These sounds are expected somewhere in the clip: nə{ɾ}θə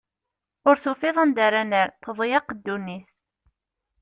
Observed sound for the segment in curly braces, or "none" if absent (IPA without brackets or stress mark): ɾ